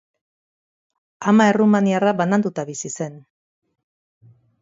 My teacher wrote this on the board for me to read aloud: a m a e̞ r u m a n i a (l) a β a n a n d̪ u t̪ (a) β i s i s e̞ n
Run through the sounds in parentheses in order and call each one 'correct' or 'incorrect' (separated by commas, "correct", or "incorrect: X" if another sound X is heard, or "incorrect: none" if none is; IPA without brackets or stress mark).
incorrect: r, correct